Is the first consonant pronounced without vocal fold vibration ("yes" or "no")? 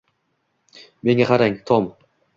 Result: no